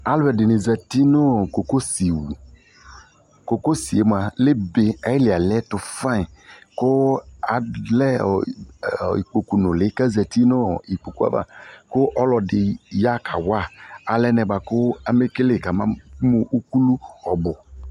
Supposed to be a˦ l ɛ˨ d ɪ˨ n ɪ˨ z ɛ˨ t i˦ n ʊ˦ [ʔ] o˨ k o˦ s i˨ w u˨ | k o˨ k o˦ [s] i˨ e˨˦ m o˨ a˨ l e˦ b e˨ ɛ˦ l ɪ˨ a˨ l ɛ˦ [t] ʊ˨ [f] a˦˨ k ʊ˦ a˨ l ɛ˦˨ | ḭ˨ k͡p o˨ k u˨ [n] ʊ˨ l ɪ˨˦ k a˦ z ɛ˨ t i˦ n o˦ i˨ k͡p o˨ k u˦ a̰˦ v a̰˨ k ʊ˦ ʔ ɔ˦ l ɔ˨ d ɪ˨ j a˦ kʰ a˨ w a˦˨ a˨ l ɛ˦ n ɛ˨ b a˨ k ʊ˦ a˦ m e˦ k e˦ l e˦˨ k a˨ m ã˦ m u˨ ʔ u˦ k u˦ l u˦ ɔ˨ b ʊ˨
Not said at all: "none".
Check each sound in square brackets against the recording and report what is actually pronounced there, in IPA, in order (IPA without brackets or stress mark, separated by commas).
k, s, t, f, n